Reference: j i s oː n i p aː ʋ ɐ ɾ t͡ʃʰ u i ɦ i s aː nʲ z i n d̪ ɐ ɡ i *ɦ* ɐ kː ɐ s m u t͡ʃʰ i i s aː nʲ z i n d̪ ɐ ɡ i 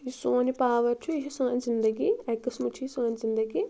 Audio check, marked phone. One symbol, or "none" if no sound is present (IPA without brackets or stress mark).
none